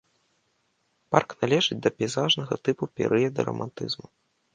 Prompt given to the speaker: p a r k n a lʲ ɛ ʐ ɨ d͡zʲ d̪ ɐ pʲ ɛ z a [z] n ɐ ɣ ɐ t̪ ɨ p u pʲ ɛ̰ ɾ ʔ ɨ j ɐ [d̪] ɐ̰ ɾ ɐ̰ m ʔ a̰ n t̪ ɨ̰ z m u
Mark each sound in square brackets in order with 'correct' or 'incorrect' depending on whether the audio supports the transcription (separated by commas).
incorrect, correct